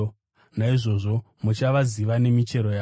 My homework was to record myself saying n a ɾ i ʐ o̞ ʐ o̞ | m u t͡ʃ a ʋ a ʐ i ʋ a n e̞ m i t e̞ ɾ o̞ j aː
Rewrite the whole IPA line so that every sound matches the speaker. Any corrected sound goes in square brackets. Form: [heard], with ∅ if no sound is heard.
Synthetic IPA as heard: n a [∅] i ʐ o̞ ʐ o̞ | m u t͡ʃ a ʋ a [z] i ʋ a n e̞ m i [t͡ʃ] e̞ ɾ o̞ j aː